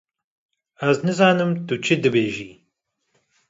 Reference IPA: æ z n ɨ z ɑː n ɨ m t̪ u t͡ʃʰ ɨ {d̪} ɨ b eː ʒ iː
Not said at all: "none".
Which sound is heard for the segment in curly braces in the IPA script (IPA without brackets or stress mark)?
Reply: d̪